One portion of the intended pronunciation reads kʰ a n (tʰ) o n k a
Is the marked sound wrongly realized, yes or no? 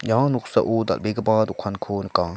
yes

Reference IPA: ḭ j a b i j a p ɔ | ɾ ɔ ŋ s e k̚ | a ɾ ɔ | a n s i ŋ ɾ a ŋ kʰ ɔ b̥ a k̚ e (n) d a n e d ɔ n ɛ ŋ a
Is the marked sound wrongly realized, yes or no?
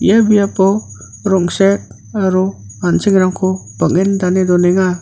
no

